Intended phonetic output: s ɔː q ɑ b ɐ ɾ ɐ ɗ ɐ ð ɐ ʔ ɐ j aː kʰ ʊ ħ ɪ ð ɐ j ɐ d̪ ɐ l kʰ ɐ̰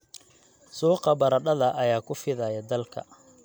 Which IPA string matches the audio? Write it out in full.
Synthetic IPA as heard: s uː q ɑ b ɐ ɾ ɐ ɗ ɐ ð ɐ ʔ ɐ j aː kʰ ʊ f ɪ ð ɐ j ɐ d̪ ɐ l kʰ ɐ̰